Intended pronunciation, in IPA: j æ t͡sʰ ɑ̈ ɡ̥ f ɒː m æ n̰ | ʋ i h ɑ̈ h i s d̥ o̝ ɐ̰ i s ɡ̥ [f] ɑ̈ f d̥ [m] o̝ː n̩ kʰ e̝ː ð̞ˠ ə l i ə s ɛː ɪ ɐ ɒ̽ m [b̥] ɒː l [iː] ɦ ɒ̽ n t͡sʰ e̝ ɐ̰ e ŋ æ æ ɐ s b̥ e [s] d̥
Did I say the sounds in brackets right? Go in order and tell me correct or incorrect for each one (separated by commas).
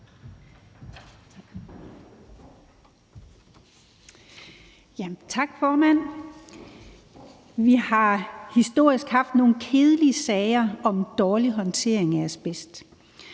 incorrect, incorrect, incorrect, incorrect, correct